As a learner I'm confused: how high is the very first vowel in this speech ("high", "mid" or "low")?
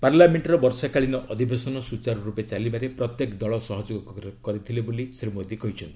low